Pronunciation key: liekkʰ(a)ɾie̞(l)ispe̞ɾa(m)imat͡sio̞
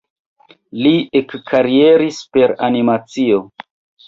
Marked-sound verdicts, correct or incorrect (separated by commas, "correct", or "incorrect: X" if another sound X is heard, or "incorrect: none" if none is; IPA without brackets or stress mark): correct, incorrect: ɾ, incorrect: n